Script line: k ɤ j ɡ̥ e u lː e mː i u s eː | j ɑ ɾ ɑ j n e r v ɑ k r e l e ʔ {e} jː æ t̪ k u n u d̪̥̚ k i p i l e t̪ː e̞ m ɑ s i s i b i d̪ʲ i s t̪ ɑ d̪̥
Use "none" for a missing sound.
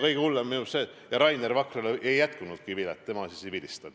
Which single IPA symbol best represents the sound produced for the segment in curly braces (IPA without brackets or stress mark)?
e